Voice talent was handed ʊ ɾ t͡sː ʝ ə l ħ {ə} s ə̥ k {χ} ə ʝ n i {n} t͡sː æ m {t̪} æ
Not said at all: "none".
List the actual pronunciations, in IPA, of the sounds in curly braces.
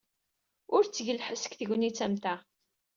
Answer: ə, θ, none, t̪

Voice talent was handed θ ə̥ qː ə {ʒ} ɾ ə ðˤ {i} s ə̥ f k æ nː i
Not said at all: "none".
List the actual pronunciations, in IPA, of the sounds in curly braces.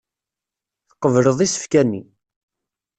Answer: v, i

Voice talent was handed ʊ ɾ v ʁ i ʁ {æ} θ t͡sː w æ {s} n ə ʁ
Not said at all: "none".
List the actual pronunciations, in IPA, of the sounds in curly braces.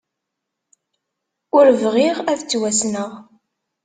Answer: æ, s

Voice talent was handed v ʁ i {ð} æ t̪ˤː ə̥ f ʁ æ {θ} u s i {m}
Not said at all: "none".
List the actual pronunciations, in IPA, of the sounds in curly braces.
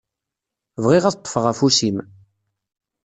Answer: ʁ, f, m

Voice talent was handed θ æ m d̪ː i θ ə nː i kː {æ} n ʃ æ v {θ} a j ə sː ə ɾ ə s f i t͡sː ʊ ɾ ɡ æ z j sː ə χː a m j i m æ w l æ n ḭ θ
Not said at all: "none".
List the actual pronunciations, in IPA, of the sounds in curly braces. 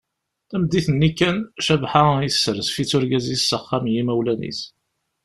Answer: æ, ħ

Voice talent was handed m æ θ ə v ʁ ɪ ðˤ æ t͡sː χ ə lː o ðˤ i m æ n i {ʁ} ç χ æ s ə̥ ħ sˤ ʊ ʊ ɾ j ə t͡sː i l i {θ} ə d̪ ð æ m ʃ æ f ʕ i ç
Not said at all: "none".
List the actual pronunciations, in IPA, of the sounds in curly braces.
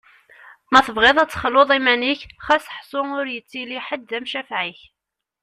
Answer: none, ħ

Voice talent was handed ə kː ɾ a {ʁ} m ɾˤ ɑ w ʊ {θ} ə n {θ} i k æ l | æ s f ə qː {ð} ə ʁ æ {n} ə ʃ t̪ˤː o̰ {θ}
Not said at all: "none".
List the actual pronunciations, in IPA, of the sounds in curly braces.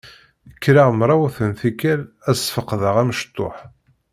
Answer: ʁ, θ, θ, ð, m, ħ

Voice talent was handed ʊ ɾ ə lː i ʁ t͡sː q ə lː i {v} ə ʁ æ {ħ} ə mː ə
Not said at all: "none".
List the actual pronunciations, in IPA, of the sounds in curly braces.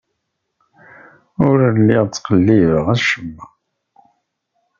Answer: v, ʃ

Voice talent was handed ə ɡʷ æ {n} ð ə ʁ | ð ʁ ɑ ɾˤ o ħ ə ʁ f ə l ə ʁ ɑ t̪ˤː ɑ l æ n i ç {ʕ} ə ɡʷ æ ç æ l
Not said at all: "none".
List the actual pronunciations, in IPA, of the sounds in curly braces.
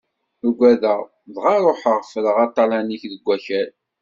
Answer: none, ð

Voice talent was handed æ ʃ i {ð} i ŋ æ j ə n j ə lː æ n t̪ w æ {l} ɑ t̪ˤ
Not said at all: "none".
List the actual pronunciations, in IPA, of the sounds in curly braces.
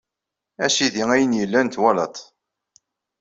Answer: ð, l

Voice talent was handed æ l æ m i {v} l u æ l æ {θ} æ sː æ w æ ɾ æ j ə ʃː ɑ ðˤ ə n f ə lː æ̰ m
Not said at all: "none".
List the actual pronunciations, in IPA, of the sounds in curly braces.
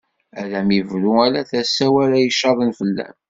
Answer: v, θ

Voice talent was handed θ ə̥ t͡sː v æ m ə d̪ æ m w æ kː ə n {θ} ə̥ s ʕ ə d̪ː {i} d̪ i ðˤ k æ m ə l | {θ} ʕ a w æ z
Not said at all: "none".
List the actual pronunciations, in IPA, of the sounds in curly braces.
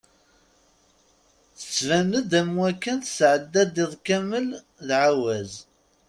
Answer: θ, æ, ð

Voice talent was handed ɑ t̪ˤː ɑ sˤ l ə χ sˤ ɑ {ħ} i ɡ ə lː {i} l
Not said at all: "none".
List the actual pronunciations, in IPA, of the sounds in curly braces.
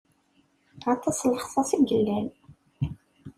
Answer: s, æ

